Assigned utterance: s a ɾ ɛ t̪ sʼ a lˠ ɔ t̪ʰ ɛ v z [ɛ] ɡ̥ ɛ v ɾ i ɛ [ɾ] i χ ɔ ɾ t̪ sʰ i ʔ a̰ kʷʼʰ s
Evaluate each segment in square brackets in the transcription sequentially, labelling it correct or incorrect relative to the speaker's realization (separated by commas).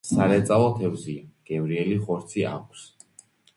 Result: incorrect, incorrect